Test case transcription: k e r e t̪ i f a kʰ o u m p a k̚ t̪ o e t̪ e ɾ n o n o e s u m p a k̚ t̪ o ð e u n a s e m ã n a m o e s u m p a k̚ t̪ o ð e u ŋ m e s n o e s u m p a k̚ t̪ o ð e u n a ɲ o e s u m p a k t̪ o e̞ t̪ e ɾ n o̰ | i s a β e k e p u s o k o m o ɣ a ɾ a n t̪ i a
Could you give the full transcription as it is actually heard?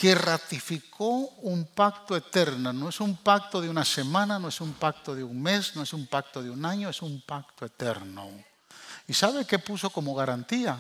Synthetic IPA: k e r a t̪ i f i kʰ o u m p a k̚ t̪ o e t̪ e ɾ n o n o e s u m p a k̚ t̪ o ð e u n a s e m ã n a n o e s u m p a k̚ t̪ o ð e u ŋ m e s n o e s u m p a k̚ t̪ o ð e u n a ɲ o e s u m p a k t̪ o e̞ t̪ e ɾ n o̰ | i s a β e k e p u s o k o m o ɣ a ɾ a n t̪ i a